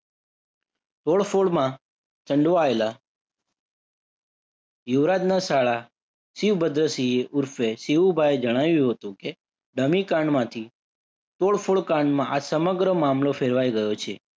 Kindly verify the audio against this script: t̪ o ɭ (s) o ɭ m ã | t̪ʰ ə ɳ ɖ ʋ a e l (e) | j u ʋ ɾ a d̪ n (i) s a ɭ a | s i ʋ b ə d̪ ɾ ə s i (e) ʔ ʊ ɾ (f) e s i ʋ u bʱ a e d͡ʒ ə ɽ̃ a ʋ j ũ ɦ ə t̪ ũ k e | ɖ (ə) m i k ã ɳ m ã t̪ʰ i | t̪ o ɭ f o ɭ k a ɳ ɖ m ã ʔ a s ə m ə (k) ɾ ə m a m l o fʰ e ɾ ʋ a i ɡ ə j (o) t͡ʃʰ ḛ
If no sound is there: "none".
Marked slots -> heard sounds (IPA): f, a, a, e, f, ə, ɡ, o

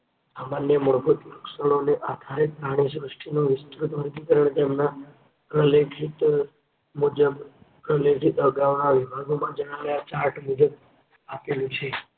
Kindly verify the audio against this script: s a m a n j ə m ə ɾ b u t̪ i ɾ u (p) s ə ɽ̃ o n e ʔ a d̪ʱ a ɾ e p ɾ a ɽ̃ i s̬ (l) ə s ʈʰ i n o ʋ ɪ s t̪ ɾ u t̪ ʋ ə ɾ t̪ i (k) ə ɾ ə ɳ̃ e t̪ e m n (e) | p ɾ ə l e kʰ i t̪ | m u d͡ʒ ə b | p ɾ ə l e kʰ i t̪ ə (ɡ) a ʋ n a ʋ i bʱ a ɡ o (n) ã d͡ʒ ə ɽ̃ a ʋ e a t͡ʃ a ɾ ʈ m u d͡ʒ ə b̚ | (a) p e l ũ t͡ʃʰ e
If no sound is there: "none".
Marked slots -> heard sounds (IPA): k, ɾ, k, a, ɡ, m, a

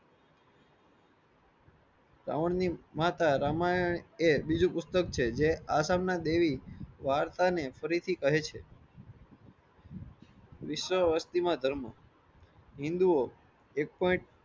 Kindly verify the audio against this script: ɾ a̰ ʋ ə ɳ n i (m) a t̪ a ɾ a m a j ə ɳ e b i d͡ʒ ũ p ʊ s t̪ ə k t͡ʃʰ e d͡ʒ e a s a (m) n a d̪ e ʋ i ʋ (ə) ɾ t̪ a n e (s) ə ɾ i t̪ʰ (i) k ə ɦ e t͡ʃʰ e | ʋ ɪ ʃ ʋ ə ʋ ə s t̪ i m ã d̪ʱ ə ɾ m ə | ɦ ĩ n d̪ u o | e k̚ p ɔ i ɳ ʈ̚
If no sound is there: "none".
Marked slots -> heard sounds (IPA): m, m, a, f, i

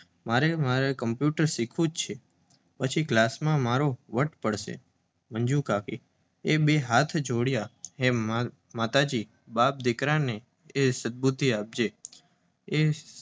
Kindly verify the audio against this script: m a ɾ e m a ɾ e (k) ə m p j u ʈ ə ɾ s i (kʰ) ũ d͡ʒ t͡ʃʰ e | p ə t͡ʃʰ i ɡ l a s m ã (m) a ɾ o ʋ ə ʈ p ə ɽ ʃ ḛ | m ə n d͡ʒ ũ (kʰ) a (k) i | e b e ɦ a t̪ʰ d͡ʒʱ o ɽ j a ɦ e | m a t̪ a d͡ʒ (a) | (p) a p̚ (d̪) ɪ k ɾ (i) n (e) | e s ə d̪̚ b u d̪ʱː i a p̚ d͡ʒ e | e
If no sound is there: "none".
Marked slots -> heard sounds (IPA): k, kʰ, m, k, k, i, b, d̪, a, e

